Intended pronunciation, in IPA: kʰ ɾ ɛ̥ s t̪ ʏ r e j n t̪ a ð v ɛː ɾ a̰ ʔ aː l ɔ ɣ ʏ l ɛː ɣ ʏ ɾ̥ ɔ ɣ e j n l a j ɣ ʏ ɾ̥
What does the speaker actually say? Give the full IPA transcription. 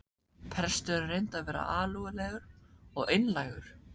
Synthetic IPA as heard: pʰ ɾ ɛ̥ s t̪ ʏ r e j n t̪ a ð v ɛː ɾ a̰ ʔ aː l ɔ ɣ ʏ l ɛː ɣ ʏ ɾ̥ ɔ ɣ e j n l a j ɣ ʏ ɾ̥